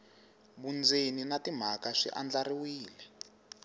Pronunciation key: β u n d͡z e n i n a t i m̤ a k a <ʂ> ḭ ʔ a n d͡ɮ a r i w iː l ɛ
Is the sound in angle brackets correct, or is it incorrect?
correct